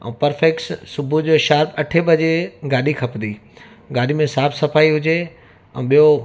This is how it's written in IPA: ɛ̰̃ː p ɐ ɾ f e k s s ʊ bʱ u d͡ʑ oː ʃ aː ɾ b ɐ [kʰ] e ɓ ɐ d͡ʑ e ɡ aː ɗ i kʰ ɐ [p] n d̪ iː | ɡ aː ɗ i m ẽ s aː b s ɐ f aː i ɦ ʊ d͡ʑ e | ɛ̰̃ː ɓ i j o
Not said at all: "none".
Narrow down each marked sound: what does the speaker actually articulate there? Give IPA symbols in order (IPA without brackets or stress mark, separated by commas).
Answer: ʈʰ, p